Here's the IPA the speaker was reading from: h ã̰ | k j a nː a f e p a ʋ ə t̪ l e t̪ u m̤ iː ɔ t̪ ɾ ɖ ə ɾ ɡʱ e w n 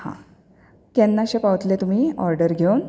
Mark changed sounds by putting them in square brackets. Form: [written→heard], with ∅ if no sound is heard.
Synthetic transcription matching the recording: h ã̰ | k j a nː a [f→ɕ] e p a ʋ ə t̪ l e t̪ u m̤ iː ɔ [t̪→∅] ɾ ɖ ə ɾ ɡʱ e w n

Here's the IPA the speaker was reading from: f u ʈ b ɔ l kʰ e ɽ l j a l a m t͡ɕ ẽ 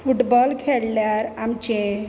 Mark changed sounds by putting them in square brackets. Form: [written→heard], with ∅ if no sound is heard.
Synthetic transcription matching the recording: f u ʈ b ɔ l kʰ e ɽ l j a [l→ɾ] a m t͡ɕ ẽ

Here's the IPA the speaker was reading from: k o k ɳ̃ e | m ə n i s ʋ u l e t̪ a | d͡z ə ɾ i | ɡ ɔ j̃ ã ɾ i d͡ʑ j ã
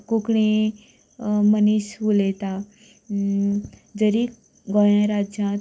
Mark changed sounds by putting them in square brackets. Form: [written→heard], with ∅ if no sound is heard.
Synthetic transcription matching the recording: k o k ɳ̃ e | m ə n i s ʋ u l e t̪ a | d͡z ə ɾ i | ɡ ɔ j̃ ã ɾ [i→a] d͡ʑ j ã

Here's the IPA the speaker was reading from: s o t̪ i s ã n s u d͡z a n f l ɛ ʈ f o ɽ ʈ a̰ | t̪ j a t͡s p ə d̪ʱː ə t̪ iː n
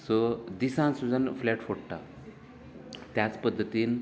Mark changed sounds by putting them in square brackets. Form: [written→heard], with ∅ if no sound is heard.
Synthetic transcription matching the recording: s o [t̪→d̪] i s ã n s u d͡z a n f l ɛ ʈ f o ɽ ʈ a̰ | t̪ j a t͡s p ə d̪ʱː ə t̪ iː n

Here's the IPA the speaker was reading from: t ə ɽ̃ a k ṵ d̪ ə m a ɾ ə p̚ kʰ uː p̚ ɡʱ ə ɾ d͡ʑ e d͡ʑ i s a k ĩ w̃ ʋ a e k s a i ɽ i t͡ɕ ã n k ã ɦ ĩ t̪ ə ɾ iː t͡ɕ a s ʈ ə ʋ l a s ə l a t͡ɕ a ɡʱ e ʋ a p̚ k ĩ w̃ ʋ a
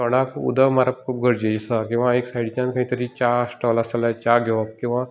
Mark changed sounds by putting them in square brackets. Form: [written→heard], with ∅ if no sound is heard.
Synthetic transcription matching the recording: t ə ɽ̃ a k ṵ d̪ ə m a ɾ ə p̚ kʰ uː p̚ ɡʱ ə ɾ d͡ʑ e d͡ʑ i s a k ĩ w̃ ʋ a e k s a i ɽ i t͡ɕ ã n k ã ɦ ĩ t̪ ə ɾ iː t͡ɕ a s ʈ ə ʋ l a s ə l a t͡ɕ a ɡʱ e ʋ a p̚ k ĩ w̃ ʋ a

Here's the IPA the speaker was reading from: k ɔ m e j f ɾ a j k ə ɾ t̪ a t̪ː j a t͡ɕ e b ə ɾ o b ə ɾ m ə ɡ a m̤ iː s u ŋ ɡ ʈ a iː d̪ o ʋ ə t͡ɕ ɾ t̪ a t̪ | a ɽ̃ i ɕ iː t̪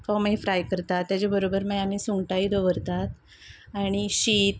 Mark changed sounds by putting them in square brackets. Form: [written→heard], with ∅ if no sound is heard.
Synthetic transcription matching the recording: k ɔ m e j f ɾ a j k ə ɾ t̪ a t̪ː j a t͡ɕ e b ə ɾ o b ə ɾ m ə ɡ a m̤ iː s u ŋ ɡ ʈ a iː d̪ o ʋ ə [t͡ɕ→∅] ɾ t̪ a t̪ | a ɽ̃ i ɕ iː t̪

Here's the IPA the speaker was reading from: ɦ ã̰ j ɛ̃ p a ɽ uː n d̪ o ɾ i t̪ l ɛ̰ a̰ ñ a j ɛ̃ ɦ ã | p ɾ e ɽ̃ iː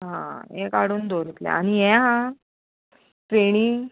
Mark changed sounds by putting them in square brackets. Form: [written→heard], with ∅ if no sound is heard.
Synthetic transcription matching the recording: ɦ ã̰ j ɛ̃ [p→k] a ɽ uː n d̪ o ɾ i t̪ l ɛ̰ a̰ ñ [a→i] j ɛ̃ ɦ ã | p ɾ e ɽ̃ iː

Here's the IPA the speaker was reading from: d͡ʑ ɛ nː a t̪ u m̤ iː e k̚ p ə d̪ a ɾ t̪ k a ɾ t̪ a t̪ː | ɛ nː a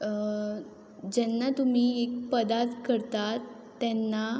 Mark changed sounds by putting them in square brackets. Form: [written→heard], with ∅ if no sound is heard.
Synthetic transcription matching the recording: d͡ʑ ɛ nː a t̪ u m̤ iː e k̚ p ə d̪ a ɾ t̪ k [a→ə] ɾ t̪ a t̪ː | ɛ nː a

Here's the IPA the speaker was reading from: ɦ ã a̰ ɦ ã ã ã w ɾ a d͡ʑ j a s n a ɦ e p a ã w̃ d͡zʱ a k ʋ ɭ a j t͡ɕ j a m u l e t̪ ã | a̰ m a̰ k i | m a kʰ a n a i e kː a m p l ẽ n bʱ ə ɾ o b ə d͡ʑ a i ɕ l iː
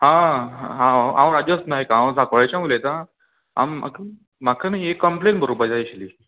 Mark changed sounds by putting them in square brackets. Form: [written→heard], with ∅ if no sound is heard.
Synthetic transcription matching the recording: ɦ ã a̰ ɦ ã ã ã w ɾ a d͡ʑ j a s n a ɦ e [p→k] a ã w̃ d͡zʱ a k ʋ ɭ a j t͡ɕ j a m u l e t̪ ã | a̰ m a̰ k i | m a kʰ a n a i e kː [a→ə] m p l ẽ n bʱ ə ɾ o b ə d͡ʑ a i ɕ l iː

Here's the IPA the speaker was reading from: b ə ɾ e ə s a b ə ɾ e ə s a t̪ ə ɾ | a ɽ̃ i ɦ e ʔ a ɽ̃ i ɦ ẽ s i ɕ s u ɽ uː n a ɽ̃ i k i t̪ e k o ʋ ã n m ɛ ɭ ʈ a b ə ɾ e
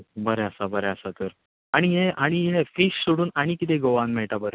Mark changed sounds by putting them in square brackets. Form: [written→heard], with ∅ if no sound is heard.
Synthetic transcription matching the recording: b ə ɾ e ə s a b ə ɾ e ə s a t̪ ə ɾ | a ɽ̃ i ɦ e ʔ a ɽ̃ i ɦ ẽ [s→f] i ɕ s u ɽ uː n a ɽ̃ i k i t̪ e [k→ɡ] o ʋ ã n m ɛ ɭ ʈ a b ə ɾ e

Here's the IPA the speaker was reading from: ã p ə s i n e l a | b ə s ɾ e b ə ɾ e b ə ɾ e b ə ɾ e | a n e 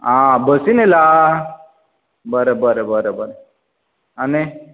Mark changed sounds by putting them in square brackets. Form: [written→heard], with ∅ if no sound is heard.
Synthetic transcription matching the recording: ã [p→b] ə s i n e l a | b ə [s→∅] ɾ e b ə ɾ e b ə ɾ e b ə ɾ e | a n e

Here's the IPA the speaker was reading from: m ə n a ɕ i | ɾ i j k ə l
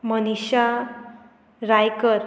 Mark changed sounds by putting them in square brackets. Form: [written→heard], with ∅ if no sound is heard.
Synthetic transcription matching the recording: m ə n [a→i] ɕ [i→a] | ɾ [i→a] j k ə [l→ɾ]

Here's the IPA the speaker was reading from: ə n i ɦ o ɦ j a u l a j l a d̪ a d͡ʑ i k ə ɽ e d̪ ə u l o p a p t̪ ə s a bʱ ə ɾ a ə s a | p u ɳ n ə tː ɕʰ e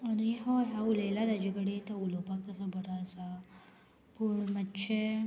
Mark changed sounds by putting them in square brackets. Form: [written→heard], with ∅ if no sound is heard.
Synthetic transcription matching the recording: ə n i ɦ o ɦ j a u l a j l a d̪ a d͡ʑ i k ə ɽ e [d̪→t̪] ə u l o p a [p→k] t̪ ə s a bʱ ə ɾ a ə s a | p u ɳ [n→m] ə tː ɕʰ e

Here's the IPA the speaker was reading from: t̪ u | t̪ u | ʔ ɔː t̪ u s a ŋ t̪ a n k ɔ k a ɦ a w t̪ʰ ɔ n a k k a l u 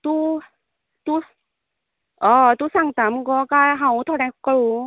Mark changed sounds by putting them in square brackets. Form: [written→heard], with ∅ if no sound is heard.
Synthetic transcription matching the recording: t̪ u | t̪ u | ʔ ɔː t̪ u s a ŋ t̪ a [n→m] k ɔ k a ɦ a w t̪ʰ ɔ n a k k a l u

